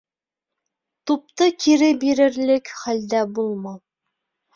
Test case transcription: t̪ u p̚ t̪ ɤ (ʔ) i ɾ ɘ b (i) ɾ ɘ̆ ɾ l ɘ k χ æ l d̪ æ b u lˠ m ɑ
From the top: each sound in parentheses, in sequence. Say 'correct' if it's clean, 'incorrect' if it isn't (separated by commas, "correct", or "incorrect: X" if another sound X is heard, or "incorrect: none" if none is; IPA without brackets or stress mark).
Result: incorrect: k, correct